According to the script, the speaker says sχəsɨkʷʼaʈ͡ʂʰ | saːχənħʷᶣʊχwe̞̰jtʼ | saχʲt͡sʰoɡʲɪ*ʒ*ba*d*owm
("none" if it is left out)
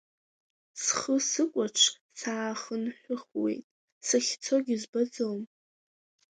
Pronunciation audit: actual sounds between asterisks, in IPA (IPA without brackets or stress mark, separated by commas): z, d͡z